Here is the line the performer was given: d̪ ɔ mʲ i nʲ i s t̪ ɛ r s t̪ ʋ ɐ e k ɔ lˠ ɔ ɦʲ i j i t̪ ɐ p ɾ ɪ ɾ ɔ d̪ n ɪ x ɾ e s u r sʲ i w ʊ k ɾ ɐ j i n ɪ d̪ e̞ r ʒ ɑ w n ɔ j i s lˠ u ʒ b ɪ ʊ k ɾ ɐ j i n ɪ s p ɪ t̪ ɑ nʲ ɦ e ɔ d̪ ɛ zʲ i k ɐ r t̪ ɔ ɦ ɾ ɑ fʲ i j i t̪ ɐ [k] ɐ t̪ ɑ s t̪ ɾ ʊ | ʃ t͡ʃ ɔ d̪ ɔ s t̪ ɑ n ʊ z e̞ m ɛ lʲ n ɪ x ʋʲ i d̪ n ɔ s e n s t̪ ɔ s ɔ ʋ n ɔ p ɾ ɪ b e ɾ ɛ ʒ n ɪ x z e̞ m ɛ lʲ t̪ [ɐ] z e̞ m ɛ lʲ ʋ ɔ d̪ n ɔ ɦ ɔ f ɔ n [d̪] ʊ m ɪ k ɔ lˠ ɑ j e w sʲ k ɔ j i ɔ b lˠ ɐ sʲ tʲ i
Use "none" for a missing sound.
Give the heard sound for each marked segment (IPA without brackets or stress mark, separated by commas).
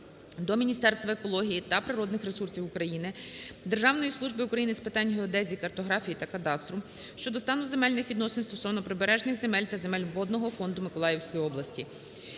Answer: k, ɐ, d̪